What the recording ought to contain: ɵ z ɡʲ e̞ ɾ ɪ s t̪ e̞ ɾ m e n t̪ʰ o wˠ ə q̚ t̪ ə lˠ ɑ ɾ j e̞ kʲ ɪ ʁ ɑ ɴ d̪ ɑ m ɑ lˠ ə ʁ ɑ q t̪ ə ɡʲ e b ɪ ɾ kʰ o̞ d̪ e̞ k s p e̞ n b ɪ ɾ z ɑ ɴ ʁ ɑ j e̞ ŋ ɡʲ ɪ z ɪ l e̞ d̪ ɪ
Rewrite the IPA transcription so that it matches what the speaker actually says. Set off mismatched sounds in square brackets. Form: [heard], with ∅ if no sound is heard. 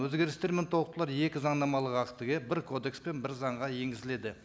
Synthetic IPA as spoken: ɵ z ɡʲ e̞ ɾ ɪ s t̪ e̞ ɾ m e n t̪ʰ o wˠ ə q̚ t̪ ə lˠ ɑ ɾ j e̞ kʲ ɪ [z] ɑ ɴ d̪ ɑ m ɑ lˠ ə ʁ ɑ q t̪ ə ɡʲ e b ɪ ɾ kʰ o̞ d̪ e̞ k s p e̞ n b ɪ ɾ z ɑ ɴ ʁ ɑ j e̞ ŋ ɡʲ ɪ z ɪ l e̞ d̪ ɪ

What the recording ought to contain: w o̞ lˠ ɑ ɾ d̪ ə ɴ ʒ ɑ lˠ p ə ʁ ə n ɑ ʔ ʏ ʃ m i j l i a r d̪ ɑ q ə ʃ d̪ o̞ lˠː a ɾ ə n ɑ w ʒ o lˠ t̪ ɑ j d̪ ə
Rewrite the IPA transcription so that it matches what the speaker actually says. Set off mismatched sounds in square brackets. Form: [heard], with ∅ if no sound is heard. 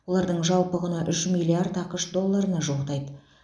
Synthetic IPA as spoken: w o̞ lˠ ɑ ɾ d̪ ə ɴ ʒ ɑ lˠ p ə ʁ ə n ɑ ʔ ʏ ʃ m i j l i a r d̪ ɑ q ə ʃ d̪ o̞ lˠː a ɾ ə n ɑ [∅] ʒ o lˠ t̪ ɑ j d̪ ə

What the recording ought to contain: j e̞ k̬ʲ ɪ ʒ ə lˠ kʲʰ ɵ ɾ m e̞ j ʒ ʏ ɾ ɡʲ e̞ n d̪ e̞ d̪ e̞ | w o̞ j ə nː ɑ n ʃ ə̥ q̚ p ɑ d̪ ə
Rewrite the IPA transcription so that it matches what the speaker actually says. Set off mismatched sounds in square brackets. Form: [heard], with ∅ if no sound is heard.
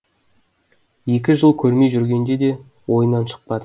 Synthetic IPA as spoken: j e̞ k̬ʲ ɪ ʒ ə lˠ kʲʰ ɵ ɾ m e̞ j ʒ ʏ ɾ ɡʲ e̞ n d̪ e̞ d̪ e̞ | w o̞ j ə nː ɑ n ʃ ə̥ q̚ p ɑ d̪ ə

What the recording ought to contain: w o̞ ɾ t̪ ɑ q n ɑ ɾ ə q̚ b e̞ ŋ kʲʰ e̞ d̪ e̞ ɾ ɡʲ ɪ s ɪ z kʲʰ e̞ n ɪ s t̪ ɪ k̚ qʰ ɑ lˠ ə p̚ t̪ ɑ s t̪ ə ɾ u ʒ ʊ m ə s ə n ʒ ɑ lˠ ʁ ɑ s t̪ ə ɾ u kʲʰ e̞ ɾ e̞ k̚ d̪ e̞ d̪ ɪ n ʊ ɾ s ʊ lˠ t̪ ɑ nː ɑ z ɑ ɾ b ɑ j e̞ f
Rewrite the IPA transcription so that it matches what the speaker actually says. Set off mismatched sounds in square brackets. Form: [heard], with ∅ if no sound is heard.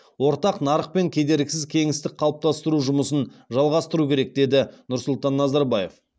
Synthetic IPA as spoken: w o̞ ɾ t̪ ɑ q n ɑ ɾ ə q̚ [p] e̞ ŋ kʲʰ e̞ d̪ e̞ ɾ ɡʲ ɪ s ɪ z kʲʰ e̞ [ŋ] ɪ s t̪ ɪ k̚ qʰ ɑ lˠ ə p̚ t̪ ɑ s t̪ ə ɾ u ʒ ʊ m ə s ə n ʒ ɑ lˠ ʁ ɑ s t̪ ə ɾ u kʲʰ e̞ ɾ e̞ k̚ d̪ e̞ d̪ ɪ n ʊ ɾ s ʊ lˠ t̪ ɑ nː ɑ z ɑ ɾ b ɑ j e̞ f

